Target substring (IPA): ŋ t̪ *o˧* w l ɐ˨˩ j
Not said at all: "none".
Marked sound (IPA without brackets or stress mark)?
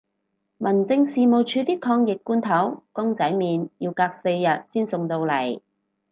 o˧